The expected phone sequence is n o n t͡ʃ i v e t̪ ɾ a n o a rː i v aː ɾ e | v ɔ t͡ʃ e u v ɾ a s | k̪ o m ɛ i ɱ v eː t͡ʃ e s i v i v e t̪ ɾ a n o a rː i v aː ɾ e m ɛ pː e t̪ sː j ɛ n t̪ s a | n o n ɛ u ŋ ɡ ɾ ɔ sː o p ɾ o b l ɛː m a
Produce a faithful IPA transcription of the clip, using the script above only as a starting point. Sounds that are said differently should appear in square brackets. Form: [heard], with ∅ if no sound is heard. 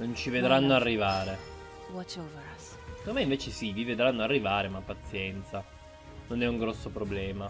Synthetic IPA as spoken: n o n t͡ʃ i v e [d̪] ɾ a [nː] o a rː i v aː ɾ e | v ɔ t͡ʃ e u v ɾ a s | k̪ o m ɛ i ɱ v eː t͡ʃ e s i v i v e [d̪] ɾ a [nː] o a rː i v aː ɾ e m [a] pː [a] t̪ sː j ɛ n t̪ s a | n o n ɛ u ŋ ɡ ɾ ɔ sː o p ɾ o b l ɛː m a

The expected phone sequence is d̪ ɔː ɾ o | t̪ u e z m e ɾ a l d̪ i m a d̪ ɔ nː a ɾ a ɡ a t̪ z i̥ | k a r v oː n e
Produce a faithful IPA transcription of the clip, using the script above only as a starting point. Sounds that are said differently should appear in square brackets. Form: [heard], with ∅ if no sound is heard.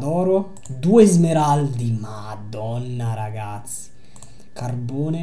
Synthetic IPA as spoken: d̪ ɔː ɾ o | [d̪] u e z m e ɾ a l d̪ i m a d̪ ɔ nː a ɾ a ɡ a t̪ [s] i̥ | k a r [b] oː n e

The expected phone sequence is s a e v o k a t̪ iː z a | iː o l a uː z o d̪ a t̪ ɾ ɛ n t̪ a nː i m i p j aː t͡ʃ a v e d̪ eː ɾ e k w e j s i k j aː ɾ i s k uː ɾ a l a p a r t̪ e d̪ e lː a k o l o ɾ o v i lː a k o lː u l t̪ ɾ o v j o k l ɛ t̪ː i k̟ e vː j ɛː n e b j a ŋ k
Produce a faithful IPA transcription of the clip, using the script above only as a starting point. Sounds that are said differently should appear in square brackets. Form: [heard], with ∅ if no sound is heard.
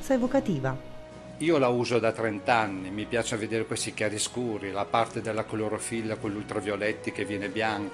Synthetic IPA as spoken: s a e v o k a t̪ iː [v] a | iː o l a uː z o d̪ a t̪ ɾ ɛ n t̪ a nː i m i p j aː t͡ʃ a v e d̪ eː ɾ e k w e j s i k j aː ɾ i s k uː ɾ [i] l a p a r t̪ e d̪ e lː a k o l o ɾ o [f] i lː a k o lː u l t̪ ɾ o v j o [∅] l ɛ t̪ː i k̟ e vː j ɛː n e b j a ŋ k

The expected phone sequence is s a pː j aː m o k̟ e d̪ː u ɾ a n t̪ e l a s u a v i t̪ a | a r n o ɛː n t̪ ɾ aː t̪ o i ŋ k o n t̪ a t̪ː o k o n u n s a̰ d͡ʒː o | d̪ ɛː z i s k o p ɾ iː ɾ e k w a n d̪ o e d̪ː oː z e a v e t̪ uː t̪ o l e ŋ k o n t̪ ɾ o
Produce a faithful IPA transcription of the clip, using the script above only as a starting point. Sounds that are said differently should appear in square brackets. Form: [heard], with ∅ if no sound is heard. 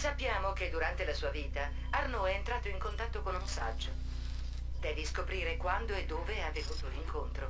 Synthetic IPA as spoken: s a pː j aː m o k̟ e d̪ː u ɾ a n t̪ e l a s [uː] a v [iː] t̪ a | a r n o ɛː n t̪ ɾ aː t̪ o i ŋ k o n t̪ a t̪ː o k o n u n s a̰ d͡ʒː o | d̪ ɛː [v] i s k o p ɾ iː ɾ e k w a n d̪ o e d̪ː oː [v] e a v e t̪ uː t̪ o l [i] ŋ k o n t̪ ɾ o

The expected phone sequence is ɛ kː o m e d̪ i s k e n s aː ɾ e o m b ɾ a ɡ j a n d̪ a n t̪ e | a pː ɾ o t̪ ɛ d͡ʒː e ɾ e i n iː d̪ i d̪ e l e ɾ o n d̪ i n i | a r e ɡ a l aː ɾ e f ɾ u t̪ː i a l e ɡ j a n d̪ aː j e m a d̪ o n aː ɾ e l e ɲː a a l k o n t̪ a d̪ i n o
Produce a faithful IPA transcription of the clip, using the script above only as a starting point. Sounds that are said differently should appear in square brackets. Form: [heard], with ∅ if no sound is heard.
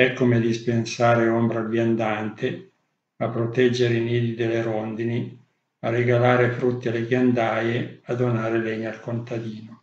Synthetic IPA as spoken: ɛ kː o m e d̪ i s [p] e n s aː ɾ e o m b ɾ a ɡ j a n d̪ a n t̪ e | a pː ɾ o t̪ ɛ d͡ʒː e ɾ e i n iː d̪ i d̪ e l e ɾ o n d̪ i n i | a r e ɡ a l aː ɾ e f ɾ u t̪ː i a l e ɡ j a n d̪ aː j e [∅] a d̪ o n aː ɾ e l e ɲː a a l k o n t̪ a d̪ [iː] n o

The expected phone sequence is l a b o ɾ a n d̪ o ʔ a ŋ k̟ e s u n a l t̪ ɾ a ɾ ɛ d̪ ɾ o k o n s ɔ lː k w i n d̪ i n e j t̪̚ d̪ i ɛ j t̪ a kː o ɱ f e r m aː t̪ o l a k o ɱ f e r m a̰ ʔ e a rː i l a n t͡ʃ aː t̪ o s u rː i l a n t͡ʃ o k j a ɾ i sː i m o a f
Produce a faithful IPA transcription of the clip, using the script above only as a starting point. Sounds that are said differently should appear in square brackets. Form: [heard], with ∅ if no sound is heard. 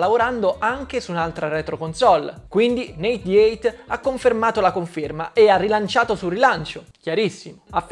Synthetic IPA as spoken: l a [v] o ɾ a n d̪ o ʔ a ŋ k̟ e s u n a l t̪ ɾ a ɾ ɛ [t̪] ɾ o k o n s ɔ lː k w i n d̪ i n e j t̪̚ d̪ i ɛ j t̪ a kː o ɱ f e r m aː t̪ o l a k o ɱ f e r m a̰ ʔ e a rː i l a n t͡ʃ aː t̪ o s u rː i l a n t͡ʃ o k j a ɾ i sː i m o a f

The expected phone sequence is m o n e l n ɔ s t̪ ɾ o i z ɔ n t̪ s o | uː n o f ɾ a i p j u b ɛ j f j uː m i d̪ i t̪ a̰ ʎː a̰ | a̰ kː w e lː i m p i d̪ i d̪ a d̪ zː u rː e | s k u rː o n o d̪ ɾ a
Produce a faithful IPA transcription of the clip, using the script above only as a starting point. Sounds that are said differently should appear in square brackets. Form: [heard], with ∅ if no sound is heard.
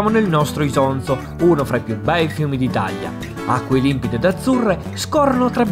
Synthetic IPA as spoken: m o n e l n ɔ s t̪ ɾ o i z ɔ n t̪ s o | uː n o f ɾ a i p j u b ɛ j f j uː m i d̪ i t̪ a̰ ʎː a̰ | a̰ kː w e [l] i m p i d̪ [e] d̪ a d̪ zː u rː e | s k [ɔ] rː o n o [t̪] ɾ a

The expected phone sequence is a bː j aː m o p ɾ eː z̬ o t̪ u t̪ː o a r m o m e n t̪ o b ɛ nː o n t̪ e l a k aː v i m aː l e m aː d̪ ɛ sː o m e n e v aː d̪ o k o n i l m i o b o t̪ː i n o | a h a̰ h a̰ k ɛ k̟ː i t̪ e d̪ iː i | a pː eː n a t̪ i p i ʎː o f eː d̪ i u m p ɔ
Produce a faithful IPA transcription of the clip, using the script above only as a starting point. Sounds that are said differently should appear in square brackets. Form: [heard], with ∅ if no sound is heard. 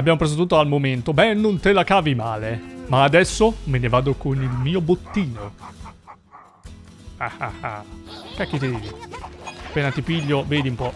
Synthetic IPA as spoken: a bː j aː m o p ɾ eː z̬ o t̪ u t̪ː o a [l] m o m e n t̪ o b ɛ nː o n t̪ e l a k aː v i m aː l e m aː d̪ ɛ sː o m e n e v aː d̪ o k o n i l m [iː] o b o t̪ː [iː] n o | a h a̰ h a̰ k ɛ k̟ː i t̪ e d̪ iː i | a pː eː n a t̪ i p i ʎː o [v] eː d̪ i u m p ɔ

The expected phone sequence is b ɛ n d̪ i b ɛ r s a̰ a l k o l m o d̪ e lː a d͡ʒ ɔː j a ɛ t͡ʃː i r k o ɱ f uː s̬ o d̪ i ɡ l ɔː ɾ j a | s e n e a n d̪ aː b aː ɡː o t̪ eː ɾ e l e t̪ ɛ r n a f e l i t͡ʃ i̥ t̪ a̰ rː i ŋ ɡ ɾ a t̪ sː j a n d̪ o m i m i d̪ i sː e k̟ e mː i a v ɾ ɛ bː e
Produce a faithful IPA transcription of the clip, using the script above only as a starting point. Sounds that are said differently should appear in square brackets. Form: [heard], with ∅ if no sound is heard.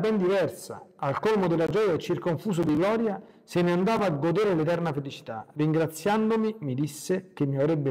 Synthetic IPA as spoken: b ɛ n d̪ i [v] ɛ r s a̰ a l k o l m o d̪ e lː a d͡ʒ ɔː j a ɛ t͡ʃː i r k o ɱ f uː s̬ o d̪ i ɡ l ɔː ɾ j a | s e n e a n d̪ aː [v] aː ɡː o [d̪] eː ɾ e l e t̪ ɛ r n a f e l i t͡ʃ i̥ t̪ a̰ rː i ŋ ɡ ɾ a t̪ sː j a n d̪ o m i m i d̪ i sː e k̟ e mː i a v ɾ ɛ bː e

